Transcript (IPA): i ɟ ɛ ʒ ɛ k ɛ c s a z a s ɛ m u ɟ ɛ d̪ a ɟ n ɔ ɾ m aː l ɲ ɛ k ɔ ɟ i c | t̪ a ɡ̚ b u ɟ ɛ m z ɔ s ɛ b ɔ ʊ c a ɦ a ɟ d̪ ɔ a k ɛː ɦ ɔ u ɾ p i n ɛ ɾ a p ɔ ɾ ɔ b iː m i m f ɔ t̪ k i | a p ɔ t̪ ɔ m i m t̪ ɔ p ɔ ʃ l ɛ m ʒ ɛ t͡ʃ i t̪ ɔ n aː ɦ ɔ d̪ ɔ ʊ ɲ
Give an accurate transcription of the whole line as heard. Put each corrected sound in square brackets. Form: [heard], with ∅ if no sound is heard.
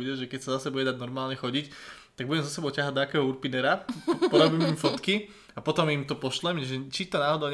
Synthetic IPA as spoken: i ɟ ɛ ʒ ɛ k ɛ c s a z a s ɛ [b] u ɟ ɛ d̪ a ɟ n ɔ ɾ m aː l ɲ ɛ [x] ɔ ɟ i c | t̪ a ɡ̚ b u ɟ ɛ m z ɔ s ɛ b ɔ ʊ c a ɦ a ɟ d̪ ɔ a k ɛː ɦ ɔ u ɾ p i n ɛ ɾ a p ɔ ɾ ɔ b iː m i m f ɔ t̪ k i | a p ɔ t̪ ɔ m i m t̪ ɔ p ɔ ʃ l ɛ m ʒ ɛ t͡ʃ i t̪ ɔ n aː ɦ ɔ d̪ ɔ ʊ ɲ